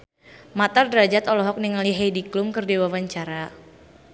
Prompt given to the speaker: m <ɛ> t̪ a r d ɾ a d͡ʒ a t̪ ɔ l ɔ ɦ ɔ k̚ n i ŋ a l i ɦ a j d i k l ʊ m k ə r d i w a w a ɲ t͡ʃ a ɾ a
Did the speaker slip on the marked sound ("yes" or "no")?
yes